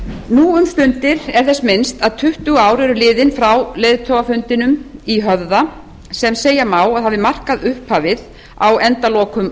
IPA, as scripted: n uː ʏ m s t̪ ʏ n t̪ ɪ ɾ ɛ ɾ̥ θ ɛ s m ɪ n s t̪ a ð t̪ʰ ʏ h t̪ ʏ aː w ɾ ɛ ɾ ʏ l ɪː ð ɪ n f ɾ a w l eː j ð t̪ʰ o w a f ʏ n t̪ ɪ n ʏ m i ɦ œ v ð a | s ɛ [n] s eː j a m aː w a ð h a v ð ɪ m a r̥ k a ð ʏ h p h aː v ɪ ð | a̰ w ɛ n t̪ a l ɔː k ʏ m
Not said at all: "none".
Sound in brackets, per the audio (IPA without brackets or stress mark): m